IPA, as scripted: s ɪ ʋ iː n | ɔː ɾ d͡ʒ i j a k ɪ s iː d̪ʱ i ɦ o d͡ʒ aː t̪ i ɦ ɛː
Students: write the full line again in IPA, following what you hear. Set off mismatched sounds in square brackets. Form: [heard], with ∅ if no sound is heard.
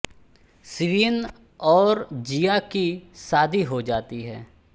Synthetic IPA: s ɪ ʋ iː n | ɔː ɾ d͡ʒ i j a k [i] s [aː] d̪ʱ i ɦ o d͡ʒ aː t̪ i ɦ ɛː

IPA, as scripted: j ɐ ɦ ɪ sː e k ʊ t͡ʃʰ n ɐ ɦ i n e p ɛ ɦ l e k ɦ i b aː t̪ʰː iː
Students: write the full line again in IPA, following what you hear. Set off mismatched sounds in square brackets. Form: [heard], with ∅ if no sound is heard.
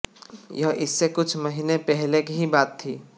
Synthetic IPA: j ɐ ɦ ɪ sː e k ʊ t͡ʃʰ [m] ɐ ɦ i n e p ɛ ɦ l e k ɦ i b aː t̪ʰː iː

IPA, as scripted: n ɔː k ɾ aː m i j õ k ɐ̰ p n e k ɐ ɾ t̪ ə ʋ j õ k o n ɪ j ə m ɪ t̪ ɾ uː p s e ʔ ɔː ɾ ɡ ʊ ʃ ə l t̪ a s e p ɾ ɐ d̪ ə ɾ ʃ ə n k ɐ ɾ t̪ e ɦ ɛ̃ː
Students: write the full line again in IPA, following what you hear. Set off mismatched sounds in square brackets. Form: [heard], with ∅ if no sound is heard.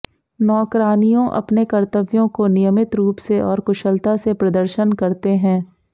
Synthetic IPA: n ɔː k ɾ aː [n] i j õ [ʔ] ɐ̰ p n e k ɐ ɾ t̪ ə ʋ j õ k o n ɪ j ə m ɪ t̪ ɾ uː p s e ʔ ɔː ɾ [k] ʊ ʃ ə l t̪ a s e p ɾ ɐ d̪ ə ɾ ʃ ə n k ɐ ɾ t̪ e ɦ ɛ̃ː

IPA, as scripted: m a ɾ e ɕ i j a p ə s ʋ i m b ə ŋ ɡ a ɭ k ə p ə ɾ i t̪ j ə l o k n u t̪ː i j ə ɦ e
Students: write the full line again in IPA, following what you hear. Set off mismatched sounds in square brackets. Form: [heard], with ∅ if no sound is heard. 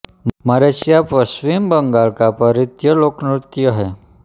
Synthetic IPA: m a ɾ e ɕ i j a p ə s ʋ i m b ə ŋ ɡ a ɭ k [a] p ə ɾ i t̪ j ə l o k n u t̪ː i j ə ɦ e

